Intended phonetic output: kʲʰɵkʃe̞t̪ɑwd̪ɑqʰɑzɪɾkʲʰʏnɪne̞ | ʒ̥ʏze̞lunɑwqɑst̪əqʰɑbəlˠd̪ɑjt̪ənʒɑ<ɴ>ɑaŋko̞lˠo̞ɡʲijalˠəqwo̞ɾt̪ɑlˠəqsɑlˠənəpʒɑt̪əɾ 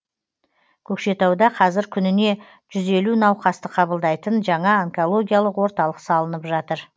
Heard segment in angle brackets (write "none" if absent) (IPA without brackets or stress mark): ɴ